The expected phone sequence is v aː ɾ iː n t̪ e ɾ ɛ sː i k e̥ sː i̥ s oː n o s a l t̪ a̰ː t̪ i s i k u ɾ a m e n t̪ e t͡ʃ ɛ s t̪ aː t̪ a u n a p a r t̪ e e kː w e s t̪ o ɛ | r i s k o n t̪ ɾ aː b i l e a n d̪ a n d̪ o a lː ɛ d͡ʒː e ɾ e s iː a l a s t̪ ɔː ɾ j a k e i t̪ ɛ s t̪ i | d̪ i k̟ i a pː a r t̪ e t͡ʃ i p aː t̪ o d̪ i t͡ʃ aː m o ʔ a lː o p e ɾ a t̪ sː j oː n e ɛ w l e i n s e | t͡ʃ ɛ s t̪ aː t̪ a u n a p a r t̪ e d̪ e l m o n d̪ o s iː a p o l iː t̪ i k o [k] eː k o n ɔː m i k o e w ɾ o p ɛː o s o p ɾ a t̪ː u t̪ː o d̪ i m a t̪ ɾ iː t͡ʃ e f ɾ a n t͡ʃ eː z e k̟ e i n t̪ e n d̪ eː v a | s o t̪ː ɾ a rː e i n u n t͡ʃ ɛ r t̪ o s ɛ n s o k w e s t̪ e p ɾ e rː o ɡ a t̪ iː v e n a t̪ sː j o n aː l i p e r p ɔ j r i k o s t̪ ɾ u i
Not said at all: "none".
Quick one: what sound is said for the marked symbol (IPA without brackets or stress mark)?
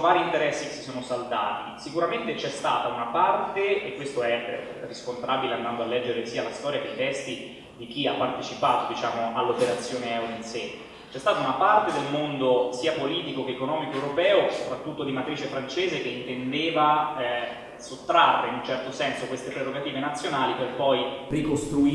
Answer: k